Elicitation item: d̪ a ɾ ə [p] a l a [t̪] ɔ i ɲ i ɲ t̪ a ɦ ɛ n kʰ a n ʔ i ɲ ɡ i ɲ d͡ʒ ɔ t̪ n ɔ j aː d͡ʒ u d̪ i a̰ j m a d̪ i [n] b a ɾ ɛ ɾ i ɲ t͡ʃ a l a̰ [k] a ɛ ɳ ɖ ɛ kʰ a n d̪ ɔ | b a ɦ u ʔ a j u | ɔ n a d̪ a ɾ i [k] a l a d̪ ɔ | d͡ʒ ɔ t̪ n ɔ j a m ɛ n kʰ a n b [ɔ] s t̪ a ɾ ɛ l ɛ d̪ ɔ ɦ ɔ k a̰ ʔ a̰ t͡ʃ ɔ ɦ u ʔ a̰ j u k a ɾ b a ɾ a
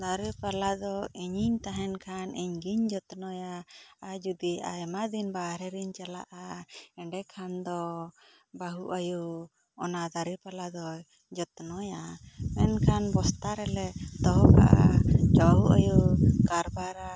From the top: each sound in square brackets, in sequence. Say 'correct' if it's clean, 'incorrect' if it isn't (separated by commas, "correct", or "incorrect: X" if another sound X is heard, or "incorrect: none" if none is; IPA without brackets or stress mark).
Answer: correct, incorrect: d̪, correct, incorrect: ʔ, incorrect: p, correct